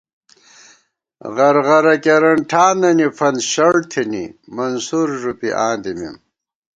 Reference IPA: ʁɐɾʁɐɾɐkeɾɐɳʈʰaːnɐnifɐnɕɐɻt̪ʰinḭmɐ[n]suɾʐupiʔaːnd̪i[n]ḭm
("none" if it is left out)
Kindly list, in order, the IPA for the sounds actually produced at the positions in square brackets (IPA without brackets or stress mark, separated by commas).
n, m